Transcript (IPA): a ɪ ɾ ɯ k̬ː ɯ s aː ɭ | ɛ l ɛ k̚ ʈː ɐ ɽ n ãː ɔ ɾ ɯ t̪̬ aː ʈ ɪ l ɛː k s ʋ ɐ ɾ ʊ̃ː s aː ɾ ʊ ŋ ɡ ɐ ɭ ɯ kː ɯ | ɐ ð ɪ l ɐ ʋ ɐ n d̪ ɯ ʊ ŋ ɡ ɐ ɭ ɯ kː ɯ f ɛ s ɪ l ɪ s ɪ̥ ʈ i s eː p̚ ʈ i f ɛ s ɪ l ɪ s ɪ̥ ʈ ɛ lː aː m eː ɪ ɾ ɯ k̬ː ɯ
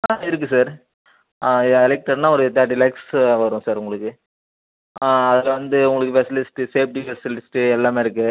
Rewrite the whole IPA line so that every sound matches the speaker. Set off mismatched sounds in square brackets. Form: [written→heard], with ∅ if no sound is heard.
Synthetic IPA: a ɪ ɾ ɯ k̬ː ɯ s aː [ɭ→ɾ] | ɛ l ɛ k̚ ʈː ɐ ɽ n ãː ɔ ɾ ɯ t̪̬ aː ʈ ɪ l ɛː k s ʋ ɐ ɾ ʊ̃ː s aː ɾ ʊ ŋ ɡ ɐ ɭ ɯ kː ɯ | ɐ ð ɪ l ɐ ʋ ɐ n d̪ ɯ ʊ ŋ ɡ ɐ ɭ ɯ kː ɯ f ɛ s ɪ l ɪ s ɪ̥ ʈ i s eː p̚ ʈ i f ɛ s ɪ l ɪ s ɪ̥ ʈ ɛ lː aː m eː ɪ ɾ ɯ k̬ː ɯ